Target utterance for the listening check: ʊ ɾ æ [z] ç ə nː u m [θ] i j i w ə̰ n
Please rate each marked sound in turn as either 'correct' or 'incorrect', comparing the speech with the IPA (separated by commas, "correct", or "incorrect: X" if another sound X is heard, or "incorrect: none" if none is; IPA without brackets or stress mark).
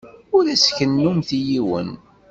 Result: incorrect: s, correct